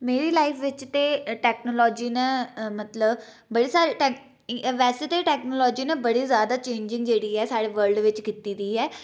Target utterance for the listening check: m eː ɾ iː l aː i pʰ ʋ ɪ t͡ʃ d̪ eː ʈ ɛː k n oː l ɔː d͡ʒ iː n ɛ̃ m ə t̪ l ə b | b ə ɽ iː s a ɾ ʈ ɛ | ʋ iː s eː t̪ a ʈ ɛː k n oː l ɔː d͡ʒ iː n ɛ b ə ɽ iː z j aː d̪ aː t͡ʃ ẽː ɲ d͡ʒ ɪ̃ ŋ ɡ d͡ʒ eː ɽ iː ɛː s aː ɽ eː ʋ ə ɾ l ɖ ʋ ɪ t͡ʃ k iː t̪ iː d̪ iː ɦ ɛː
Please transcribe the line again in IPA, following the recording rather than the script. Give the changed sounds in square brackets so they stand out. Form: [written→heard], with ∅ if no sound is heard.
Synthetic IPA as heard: m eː ɾ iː l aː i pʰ ʋ ɪ t͡ʃ [d̪→t̪] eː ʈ ɛː k n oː l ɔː d͡ʒ iː n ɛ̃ m ə t̪ l ə b | b ə ɽ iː s a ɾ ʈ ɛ | ʋ [iː→ɛː] s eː t̪ [a→e] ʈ ɛː k n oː l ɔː d͡ʒ iː n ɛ b ə ɽ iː z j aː d̪ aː t͡ʃ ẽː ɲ d͡ʒ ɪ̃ ŋ ɡ d͡ʒ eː ɽ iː ɛː s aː ɽ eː ʋ ə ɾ l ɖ ʋ ɪ t͡ʃ k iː t̪ iː d̪ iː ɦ ɛː